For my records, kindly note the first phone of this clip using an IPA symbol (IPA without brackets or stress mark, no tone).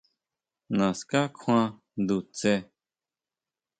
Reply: n